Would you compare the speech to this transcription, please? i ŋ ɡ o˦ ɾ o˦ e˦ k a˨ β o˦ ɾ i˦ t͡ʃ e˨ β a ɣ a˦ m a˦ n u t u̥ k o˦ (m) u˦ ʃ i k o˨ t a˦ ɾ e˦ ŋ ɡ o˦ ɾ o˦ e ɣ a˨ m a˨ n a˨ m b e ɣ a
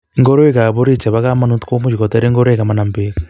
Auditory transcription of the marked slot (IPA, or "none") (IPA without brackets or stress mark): m